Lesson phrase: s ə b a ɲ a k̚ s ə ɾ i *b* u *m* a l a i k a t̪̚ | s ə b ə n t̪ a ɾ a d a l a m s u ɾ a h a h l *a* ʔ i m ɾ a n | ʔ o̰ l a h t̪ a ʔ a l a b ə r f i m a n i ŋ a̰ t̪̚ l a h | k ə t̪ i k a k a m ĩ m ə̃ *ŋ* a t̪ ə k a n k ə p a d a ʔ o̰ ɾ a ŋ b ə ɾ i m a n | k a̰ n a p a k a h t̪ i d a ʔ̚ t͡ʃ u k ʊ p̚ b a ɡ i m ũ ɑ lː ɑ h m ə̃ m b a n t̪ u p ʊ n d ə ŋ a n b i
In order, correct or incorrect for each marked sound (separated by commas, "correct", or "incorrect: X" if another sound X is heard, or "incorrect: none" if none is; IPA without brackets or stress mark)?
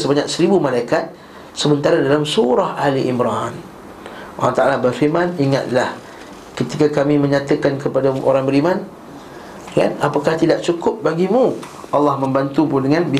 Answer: correct, correct, incorrect: i, incorrect: ɲ